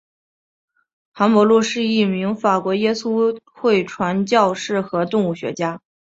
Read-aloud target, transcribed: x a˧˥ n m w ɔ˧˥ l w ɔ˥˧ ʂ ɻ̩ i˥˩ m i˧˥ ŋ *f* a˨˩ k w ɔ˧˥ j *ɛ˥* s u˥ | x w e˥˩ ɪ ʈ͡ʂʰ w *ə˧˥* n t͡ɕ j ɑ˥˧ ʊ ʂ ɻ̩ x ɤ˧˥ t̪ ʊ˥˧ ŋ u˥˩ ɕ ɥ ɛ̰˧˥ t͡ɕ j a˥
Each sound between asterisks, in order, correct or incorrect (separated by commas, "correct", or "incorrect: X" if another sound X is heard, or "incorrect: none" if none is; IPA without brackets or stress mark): correct, correct, incorrect: a˧˥